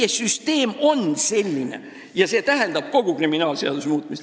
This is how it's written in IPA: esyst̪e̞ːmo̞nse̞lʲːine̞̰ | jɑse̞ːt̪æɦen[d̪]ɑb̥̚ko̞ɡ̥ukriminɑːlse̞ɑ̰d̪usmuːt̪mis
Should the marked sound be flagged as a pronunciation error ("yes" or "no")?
no